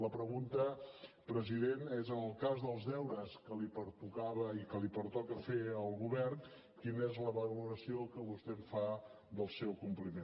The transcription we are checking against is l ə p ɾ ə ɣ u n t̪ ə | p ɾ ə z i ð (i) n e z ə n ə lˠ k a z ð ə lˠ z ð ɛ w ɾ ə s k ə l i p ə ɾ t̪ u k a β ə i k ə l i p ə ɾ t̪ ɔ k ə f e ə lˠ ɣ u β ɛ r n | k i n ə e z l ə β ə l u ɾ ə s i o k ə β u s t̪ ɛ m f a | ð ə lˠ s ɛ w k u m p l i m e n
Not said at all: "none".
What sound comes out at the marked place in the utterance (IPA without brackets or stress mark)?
e